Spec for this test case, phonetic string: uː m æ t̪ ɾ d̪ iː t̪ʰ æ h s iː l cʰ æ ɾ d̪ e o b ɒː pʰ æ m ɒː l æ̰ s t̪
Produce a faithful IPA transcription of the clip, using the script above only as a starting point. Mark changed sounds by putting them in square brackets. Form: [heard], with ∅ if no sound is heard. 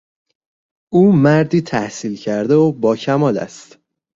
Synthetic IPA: uː m æ [∅] ɾ d̪ iː t̪ʰ æ h s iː l cʰ æ ɾ d̪ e o b ɒː [cʰ] æ m ɒː l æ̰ s t̪

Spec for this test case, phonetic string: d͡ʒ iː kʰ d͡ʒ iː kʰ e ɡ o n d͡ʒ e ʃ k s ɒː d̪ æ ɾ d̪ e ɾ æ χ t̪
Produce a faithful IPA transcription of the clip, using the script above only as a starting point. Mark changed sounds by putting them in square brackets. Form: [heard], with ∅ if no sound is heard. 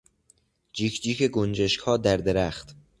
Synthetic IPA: d͡ʒ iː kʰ d͡ʒ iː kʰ e ɡ o n d͡ʒ e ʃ k [h] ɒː d̪ æ ɾ d̪ e ɾ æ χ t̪

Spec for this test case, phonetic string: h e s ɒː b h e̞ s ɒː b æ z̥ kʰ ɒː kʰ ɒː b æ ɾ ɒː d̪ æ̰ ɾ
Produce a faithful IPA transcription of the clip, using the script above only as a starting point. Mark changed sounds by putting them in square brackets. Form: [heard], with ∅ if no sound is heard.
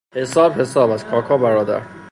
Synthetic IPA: h e s ɒː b h e̞ s ɒː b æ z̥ kʰ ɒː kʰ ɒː b æ ɾ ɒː d̪ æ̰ ɾ

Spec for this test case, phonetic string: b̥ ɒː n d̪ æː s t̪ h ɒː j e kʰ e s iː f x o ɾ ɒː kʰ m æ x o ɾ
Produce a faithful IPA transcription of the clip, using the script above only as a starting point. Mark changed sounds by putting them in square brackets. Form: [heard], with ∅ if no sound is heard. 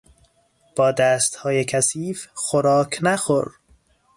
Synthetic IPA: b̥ ɒː [∅] d̪ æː s t̪ h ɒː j e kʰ [æ] s iː f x o ɾ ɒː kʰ [n] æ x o ɾ

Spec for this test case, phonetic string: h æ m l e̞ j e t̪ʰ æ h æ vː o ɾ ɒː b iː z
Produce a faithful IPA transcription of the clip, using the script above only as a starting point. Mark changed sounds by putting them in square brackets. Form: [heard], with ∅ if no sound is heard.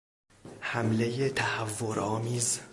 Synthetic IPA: h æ m l e̞ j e t̪ʰ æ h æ vː o ɾ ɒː [m] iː z

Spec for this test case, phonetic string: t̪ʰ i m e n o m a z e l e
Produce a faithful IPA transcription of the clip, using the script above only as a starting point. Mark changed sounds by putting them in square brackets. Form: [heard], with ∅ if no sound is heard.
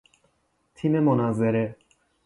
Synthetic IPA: t̪ʰ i m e [m] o [n] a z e [ɾ] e

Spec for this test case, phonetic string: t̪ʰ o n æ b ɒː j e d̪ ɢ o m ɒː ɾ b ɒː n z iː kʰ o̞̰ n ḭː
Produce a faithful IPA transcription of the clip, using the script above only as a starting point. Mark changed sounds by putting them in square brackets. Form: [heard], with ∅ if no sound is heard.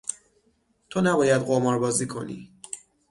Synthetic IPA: t̪ʰ o n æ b ɒː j [æ] d̪ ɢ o m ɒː ɾ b ɒː [∅] z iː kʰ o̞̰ n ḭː

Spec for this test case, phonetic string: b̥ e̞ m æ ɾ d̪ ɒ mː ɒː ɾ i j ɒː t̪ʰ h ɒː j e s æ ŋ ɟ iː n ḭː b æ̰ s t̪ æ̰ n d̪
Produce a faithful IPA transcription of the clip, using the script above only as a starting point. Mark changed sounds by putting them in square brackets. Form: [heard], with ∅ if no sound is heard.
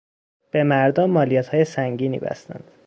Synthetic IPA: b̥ e̞ m æ ɾ d̪ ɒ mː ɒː [l] i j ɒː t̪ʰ h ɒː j e s æ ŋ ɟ iː n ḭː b æ̰ s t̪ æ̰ n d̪

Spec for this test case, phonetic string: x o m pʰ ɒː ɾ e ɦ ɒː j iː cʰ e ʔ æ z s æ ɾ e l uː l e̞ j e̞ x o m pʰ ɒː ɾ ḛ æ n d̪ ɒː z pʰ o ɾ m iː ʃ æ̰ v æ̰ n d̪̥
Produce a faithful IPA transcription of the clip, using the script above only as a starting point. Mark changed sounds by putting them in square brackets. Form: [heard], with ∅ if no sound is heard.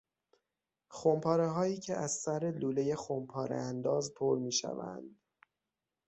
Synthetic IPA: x o m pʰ ɒː ɾ e ɦ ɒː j iː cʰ e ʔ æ z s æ ɾ e l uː l e̞ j e̞ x o m pʰ ɒː ɾ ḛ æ n d̪ ɒː z pʰ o ɾ m iː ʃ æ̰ v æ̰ n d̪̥

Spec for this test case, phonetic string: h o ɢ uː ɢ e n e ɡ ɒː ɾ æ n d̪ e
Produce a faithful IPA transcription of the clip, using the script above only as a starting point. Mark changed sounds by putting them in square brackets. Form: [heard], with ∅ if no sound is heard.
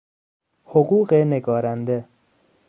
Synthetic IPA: h o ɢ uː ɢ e n e ɡ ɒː ɾ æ n d̪ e

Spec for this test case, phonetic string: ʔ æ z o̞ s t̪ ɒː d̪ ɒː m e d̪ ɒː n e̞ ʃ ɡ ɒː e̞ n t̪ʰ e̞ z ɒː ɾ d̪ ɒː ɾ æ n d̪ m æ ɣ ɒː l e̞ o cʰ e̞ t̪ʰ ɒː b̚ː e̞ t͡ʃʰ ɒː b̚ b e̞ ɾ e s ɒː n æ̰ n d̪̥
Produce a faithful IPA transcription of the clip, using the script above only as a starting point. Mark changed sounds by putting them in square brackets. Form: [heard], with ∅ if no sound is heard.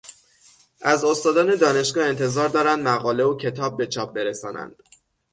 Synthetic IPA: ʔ æ z o̞ s t̪ ɒː d̪ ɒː [n] e d̪ ɒː n e̞ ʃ ɡ ɒː e̞ n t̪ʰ e̞ z ɒː ɾ d̪ ɒː ɾ æ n d̪ m æ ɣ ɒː l e̞ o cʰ e̞ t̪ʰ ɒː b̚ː e̞ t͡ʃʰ ɒː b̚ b e̞ ɾ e s ɒː n æ̰ n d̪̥

